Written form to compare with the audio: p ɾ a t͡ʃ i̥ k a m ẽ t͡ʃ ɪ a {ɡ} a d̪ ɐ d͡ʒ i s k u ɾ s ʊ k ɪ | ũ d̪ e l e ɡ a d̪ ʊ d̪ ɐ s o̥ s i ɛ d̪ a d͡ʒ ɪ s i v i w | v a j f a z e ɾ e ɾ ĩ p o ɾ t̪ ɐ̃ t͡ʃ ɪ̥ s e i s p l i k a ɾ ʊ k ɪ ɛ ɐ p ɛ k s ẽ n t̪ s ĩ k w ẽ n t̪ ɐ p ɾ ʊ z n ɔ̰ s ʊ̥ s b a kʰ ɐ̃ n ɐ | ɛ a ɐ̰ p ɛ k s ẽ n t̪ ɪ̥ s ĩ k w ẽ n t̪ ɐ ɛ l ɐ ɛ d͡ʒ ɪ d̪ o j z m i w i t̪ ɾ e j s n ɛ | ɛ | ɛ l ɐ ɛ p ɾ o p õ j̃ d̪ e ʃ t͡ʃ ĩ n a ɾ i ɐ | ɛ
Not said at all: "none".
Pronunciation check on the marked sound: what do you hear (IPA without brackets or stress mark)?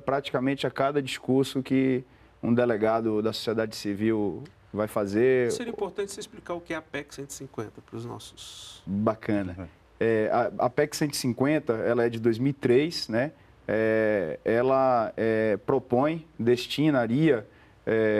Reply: k